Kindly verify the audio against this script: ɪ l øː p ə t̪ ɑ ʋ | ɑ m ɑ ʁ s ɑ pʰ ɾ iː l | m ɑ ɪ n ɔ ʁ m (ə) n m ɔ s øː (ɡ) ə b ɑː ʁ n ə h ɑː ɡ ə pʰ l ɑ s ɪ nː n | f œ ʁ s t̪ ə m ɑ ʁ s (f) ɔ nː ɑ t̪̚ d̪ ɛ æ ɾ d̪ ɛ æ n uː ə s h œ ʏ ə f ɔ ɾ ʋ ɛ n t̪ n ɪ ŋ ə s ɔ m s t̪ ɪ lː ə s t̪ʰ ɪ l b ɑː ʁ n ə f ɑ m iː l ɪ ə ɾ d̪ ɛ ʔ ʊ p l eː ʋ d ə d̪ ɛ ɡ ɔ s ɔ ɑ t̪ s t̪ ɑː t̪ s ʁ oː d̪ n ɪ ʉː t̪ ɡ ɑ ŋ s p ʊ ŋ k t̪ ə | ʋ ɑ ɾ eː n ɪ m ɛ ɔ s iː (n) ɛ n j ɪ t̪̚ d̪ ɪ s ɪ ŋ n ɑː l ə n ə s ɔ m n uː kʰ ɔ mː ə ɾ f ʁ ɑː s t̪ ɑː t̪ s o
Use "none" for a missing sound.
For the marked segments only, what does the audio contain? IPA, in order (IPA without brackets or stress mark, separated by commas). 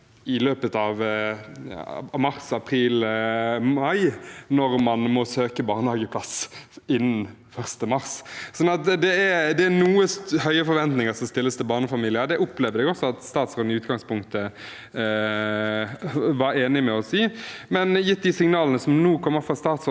ɑ, k, s, m